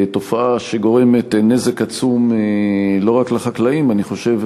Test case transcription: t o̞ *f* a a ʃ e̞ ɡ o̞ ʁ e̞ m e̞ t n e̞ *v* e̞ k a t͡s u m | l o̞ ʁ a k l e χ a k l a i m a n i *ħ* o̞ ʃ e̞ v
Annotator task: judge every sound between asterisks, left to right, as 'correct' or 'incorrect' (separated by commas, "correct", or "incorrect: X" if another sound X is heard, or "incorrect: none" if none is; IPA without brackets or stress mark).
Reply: correct, incorrect: z, incorrect: χ